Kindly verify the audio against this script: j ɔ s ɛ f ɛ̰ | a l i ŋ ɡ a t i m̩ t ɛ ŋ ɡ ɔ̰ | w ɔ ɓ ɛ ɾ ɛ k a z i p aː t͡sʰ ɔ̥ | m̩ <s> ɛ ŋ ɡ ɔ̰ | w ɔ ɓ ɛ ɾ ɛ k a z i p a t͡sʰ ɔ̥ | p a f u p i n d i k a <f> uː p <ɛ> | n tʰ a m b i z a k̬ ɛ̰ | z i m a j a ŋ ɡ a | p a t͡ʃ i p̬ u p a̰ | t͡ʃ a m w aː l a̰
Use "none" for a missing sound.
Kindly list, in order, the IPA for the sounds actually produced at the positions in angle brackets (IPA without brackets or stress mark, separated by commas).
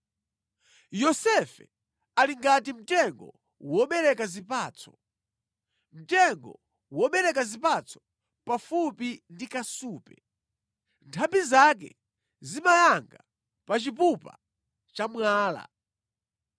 t, s, ɛ